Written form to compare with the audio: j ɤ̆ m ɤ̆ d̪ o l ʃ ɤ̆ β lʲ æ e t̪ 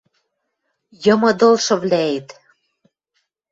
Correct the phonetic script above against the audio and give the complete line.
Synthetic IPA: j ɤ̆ m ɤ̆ d̪ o l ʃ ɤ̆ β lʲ æ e t̪